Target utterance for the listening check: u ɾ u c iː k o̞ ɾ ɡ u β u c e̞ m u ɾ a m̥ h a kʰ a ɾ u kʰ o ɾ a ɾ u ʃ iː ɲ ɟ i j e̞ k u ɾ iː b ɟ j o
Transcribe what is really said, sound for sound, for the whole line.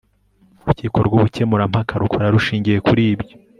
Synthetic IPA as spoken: u ɾ u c iː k o̞ ɾ ɡ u β u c e̞ m u ɾ a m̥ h a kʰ a ɾ u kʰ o ɾ a ɾ u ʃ iː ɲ ɟ i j e̞ k u ɾ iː b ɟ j o